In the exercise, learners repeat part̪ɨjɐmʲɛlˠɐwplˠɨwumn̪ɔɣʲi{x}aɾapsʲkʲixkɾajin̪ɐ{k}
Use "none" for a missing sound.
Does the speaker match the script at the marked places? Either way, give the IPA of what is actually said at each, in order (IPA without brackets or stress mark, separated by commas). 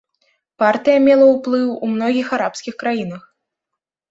x, x